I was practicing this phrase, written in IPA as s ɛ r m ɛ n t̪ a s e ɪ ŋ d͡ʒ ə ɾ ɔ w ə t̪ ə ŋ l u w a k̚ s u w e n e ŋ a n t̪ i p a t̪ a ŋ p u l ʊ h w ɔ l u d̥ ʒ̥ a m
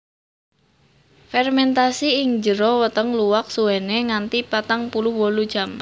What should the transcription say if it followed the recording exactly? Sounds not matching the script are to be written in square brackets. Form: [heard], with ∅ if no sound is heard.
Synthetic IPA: [f] ɛ r m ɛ n t̪ a s [i] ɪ ŋ d͡ʒ ə ɾ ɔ w ə t̪ ə ŋ l u w a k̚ s u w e n e ŋ a n t̪ i p a t̪ a ŋ p u l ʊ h w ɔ l u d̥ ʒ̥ a m